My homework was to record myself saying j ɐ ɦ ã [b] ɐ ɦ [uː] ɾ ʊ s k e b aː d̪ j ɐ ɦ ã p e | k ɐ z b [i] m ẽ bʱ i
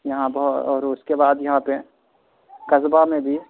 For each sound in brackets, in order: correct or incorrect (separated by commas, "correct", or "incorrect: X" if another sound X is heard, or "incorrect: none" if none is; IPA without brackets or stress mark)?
correct, incorrect: ɔː, incorrect: a